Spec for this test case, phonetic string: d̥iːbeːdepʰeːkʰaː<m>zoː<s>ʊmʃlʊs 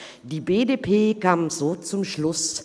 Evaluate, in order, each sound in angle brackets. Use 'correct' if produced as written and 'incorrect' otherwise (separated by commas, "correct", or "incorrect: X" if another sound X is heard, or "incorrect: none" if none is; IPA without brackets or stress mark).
correct, incorrect: t͡s